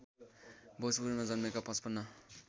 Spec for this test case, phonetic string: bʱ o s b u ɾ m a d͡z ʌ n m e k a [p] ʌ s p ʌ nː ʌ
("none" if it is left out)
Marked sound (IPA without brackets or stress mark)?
p